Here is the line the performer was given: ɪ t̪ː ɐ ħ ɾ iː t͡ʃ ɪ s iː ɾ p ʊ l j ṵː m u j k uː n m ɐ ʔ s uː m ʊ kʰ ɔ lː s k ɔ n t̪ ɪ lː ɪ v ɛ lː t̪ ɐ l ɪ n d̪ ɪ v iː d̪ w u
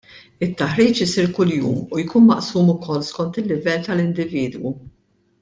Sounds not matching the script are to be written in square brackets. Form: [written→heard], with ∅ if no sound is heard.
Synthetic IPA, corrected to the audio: ɪ t̪ː ɐ ħ ɾ iː t͡ʃ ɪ s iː ɾ [p→k] ʊ l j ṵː m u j k uː n m ɐ ʔ s uː m ʊ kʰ ɔ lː s k ɔ n t̪ ɪ lː ɪ v ɛ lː t̪ ɐ l ɪ n d̪ ɪ v iː d̪ w u